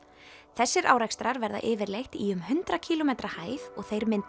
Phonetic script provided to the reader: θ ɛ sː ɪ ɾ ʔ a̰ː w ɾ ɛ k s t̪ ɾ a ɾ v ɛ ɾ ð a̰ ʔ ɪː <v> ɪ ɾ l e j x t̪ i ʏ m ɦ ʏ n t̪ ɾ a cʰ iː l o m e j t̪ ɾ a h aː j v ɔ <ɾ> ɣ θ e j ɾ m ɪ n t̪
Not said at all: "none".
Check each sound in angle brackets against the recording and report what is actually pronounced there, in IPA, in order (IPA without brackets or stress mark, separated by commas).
v, none